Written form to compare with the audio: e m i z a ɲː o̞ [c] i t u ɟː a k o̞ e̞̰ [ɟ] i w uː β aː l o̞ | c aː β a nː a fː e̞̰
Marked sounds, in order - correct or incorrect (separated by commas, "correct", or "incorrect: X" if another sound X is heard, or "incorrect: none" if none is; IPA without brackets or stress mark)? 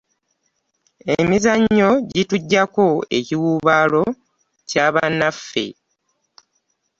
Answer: incorrect: ɟ, incorrect: c